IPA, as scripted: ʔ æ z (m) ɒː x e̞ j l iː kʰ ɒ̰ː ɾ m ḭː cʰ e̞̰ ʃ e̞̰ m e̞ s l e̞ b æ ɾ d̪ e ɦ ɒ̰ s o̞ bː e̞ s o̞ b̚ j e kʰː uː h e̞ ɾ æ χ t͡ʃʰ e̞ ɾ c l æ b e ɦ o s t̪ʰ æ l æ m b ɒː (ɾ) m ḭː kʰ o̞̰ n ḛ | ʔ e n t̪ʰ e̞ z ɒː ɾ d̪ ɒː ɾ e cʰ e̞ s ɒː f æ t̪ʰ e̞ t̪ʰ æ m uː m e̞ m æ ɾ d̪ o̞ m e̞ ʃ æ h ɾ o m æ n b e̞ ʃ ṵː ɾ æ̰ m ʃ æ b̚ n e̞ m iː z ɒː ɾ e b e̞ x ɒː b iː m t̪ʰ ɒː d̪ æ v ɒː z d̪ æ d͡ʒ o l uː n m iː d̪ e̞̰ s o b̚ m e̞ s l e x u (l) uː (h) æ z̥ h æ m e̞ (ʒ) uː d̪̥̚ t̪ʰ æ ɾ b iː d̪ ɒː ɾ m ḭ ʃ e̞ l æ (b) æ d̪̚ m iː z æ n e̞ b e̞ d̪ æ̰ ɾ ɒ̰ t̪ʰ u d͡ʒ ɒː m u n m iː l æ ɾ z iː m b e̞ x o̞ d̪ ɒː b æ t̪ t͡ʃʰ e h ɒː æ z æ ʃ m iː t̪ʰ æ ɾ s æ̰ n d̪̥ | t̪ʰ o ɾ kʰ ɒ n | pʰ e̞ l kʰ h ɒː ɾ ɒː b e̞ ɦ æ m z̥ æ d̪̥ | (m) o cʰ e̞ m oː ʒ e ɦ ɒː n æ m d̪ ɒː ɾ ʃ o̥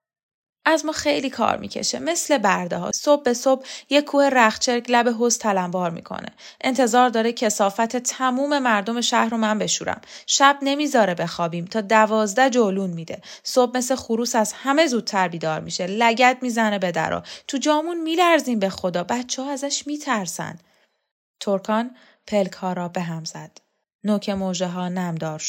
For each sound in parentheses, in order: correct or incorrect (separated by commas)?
correct, correct, incorrect, incorrect, incorrect, incorrect, incorrect